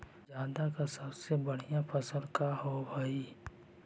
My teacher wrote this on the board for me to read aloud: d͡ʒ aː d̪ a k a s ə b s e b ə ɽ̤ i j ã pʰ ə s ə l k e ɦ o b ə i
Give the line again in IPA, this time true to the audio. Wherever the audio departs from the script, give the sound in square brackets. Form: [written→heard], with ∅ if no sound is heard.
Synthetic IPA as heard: d͡ʒ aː d̪ a k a s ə b s e b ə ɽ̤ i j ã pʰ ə s ə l k [e→a] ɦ o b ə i